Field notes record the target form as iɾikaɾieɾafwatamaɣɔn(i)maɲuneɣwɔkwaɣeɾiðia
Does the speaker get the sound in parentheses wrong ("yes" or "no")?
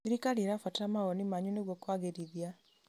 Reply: no